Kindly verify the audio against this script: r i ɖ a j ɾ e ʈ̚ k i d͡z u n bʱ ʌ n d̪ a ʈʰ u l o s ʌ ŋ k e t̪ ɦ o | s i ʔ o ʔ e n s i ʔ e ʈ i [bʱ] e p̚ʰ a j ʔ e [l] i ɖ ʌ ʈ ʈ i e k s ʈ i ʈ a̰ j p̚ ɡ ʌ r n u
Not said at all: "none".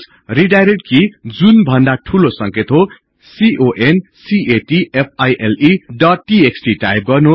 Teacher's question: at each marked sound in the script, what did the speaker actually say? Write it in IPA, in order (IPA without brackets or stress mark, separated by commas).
none, l